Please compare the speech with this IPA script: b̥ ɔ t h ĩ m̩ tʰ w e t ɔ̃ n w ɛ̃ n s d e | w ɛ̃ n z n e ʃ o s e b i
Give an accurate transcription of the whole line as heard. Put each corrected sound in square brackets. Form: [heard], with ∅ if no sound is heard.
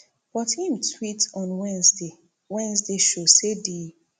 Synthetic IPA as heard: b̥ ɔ t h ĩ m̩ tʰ w [i] t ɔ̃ n w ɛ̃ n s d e | w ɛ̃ n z [d] e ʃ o s e [d] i